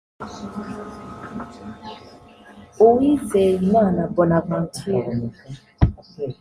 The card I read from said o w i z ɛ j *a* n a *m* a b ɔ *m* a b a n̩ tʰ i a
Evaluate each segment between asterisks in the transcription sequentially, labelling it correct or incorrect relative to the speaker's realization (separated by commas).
incorrect, incorrect, incorrect